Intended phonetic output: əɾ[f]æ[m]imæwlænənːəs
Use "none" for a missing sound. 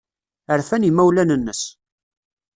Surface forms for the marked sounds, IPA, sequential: f, n

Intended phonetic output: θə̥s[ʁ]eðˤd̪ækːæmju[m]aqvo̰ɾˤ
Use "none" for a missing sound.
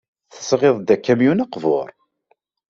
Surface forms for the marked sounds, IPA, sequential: ʁ, n

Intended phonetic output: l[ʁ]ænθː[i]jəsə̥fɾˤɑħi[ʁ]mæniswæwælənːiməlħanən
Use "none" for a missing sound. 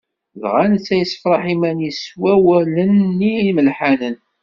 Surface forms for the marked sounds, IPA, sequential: ʁ, æ, none

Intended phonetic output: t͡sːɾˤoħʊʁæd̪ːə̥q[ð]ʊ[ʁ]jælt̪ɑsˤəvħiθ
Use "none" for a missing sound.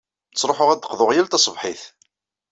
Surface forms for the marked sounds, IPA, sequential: ð, ʁ

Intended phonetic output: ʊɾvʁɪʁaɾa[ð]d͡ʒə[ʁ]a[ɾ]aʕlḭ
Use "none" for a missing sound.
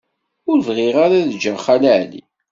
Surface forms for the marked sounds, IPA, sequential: ð, χ, l

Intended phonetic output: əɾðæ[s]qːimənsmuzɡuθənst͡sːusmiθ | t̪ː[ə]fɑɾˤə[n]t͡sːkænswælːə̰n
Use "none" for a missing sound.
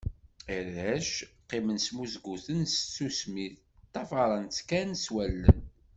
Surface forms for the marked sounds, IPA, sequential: ʃ, ɑ, n

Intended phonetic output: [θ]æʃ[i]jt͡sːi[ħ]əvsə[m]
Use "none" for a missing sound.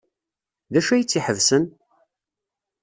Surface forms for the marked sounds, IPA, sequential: ð, æ, ħ, n

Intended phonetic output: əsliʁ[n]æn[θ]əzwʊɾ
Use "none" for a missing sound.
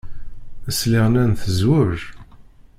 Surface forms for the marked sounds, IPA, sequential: n, θ

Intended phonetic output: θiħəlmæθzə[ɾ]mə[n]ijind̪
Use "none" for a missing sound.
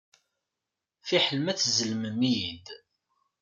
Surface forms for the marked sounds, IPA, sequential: l, m

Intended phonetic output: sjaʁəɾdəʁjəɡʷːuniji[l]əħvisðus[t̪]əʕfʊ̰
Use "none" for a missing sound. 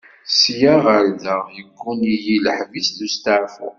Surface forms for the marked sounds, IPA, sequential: l, t̪

